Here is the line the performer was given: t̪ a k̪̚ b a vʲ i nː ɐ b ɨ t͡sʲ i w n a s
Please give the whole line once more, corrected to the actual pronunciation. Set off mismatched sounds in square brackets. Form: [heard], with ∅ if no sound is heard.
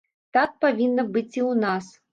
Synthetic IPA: t̪ a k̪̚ [p] a vʲ i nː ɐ b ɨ t͡sʲ i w n a s